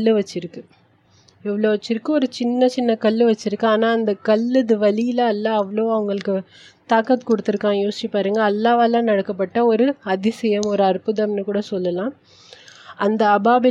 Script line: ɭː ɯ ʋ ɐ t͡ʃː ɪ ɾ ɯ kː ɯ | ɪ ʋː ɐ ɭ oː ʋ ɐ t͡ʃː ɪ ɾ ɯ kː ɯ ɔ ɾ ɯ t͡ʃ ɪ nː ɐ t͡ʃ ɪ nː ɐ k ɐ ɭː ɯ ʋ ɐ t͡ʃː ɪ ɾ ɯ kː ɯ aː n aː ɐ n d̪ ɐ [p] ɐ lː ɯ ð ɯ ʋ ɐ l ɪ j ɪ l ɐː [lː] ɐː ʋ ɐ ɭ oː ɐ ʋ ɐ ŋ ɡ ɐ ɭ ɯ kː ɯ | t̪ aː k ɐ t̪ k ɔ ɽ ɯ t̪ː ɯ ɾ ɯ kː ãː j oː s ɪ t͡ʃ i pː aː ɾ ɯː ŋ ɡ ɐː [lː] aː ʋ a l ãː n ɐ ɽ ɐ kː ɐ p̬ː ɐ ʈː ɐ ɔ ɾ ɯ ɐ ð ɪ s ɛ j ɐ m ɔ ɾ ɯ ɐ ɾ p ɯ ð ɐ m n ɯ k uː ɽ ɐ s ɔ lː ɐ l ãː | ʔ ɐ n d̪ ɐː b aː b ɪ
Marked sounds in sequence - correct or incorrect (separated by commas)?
incorrect, correct, correct